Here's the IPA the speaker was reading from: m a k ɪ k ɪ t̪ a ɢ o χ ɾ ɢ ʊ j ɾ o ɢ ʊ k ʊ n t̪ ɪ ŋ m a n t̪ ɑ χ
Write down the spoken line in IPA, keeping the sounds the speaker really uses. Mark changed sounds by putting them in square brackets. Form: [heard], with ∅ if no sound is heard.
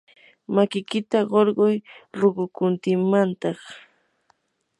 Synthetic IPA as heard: m a k ɪ k ɪ t̪ a ɢ o [∅] ɾ ɢ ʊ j ɾ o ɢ ʊ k ʊ n t̪ ɪ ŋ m a n t̪ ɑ χ